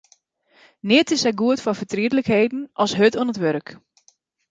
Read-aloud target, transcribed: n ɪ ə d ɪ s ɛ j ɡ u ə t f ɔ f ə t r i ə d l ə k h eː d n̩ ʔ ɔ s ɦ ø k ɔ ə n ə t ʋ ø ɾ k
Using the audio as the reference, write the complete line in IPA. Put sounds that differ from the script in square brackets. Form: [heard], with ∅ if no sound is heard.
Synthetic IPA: n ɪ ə [t] ɪ s ɛ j ɡ u ə t f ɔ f ə t r i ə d l ə k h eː d n̩ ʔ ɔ s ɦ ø [t] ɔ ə n ə t ʋ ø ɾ k